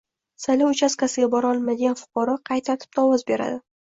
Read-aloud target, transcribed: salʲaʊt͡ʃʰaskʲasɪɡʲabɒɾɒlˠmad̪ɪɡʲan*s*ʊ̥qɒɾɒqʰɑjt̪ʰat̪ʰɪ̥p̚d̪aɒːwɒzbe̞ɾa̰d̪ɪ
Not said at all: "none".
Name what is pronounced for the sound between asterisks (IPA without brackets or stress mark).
f